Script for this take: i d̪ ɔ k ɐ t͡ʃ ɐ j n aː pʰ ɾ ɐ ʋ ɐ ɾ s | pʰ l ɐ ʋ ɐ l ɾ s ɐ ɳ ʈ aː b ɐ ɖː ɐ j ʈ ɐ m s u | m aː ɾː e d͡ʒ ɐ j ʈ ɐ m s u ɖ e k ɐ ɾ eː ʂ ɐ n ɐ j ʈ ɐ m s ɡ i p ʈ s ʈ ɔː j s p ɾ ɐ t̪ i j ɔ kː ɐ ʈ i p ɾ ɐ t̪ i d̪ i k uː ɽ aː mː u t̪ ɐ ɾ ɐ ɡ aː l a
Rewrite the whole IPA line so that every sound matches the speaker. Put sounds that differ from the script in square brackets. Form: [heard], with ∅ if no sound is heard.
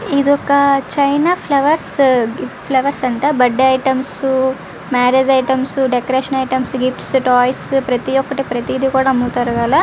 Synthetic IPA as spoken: i d̪ ɔ k ɐ t͡ʃ ɐ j n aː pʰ [l] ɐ ʋ ɐ ɾ s | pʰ l ɐ ʋ ɐ [∅] ɾ s ɐ ɳ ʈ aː b ɐ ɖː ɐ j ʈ ɐ m s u | m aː [ɾ] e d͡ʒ ɐ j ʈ ɐ m s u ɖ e k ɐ ɾ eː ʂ ɐ n ɐ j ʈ ɐ m s ɡ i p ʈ s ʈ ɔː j s p ɾ ɐ t̪ i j ɔ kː ɐ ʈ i p ɾ ɐ t̪ i d̪ i k uː ɽ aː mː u t̪ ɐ ɾ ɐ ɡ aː l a

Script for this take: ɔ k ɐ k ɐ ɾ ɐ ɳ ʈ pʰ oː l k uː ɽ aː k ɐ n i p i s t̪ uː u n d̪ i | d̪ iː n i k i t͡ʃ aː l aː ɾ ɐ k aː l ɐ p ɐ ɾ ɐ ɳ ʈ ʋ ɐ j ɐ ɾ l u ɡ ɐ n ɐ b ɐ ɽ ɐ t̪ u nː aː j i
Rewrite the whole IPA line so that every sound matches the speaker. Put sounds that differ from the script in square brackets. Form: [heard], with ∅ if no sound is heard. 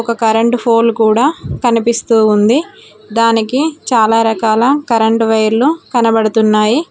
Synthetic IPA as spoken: ɔ k ɐ k ɐ ɾ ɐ ɳ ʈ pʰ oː l k uː ɽ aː k ɐ n i p i s t̪ uː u n d̪ i | d̪ [aː] n i k i t͡ʃ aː l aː ɾ ɐ k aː l ɐ [k] ɐ ɾ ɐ ɳ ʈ ʋ ɐ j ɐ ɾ l u [k] ɐ n ɐ b ɐ ɽ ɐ t̪ u nː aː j i

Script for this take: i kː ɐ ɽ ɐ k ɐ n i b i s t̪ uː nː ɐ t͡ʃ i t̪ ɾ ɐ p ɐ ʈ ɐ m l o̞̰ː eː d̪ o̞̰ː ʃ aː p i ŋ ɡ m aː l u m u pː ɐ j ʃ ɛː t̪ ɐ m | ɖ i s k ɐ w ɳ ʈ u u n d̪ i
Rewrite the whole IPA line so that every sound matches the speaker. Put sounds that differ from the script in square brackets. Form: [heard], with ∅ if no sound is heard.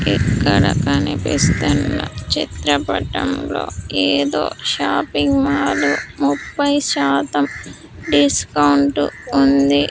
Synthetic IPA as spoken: i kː ɐ ɽ ɐ k ɐ n i [p] i s t̪ [u] nː ɐ t͡ʃ i t̪ ɾ ɐ p ɐ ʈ ɐ m l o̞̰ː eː d̪ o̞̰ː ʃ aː p i ŋ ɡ m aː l u m u pː ɐ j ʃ [aː] t̪ ɐ m | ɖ i s k ɐ w ɳ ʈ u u n d̪ i

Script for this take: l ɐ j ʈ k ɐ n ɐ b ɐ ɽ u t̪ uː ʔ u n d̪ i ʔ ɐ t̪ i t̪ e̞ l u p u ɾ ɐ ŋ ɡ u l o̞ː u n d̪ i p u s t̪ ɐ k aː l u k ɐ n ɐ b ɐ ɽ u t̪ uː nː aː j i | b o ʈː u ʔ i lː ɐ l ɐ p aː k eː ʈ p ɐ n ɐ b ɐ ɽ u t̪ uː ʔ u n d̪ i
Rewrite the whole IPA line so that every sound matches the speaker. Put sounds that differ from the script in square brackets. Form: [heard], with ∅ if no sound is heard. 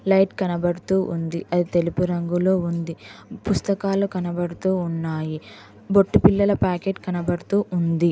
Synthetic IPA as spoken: l ɐ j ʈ k ɐ n ɐ b ɐ ɽ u t̪ uː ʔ u n d̪ i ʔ ɐ [d̪] i t̪ e̞ l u p u ɾ ɐ ŋ ɡ u l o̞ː u n d̪ i p u s t̪ ɐ k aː l u k ɐ n ɐ b ɐ ɽ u t̪ uː nː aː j i | b o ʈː u [p] i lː ɐ l ɐ p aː k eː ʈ [k] ɐ n ɐ b ɐ ɽ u t̪ uː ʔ u n d̪ i

